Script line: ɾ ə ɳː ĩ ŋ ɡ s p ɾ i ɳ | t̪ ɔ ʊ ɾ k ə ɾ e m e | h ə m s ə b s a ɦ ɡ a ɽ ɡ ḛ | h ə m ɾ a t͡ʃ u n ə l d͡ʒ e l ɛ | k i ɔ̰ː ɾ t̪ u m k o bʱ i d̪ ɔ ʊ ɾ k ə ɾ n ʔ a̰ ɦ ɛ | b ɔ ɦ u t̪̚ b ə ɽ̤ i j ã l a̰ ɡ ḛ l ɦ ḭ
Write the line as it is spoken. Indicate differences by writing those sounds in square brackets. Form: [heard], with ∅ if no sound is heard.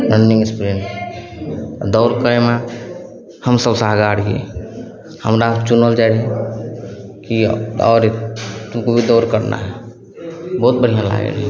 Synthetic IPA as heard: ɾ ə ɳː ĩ ŋ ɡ s p ɾ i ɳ | [d̪] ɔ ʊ ɾ k ə ɾ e m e | h ə m s ə b s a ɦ ɡ a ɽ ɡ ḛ | h ə m ɾ a t͡ʃ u n ə l d͡ʒ [a] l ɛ | k i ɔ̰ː ɾ t̪ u m k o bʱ i d̪ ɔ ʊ ɾ k ə ɾ n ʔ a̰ ɦ ɛ | b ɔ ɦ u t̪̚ b ə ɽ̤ i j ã l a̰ ɡ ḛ l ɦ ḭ